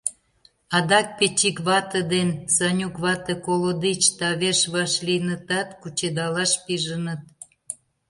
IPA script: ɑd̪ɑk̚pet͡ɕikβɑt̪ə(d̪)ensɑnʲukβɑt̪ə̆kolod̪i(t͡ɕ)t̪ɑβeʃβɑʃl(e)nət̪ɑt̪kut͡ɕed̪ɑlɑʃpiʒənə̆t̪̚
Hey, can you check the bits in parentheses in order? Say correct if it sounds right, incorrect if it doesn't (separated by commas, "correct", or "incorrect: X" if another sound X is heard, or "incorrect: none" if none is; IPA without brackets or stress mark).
correct, correct, incorrect: i